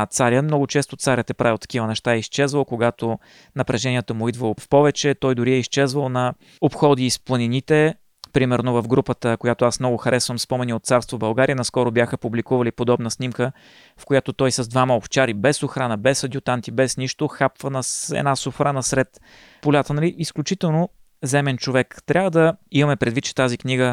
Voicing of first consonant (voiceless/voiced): voiceless